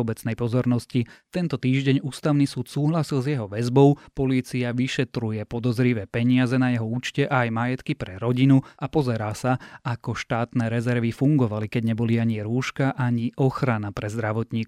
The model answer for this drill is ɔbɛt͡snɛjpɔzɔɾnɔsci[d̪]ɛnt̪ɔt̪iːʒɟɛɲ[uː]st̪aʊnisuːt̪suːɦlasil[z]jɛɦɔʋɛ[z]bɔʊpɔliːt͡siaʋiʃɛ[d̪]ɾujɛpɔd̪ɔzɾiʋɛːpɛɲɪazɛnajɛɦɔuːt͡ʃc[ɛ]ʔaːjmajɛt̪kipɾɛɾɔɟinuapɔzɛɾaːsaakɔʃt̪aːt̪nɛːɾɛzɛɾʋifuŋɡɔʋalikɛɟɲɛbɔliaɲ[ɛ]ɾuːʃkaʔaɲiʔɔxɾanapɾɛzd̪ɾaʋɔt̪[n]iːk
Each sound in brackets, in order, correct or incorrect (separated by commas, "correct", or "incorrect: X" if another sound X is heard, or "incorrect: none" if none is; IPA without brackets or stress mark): incorrect: t̪, correct, correct, correct, incorrect: t̪, correct, incorrect: i, incorrect: ɲ